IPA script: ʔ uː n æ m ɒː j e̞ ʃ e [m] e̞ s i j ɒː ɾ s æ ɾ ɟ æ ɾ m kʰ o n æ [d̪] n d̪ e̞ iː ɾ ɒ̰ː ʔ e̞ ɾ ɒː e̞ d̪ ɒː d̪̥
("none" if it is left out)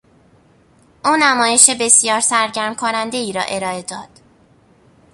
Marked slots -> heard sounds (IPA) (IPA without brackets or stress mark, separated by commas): b, none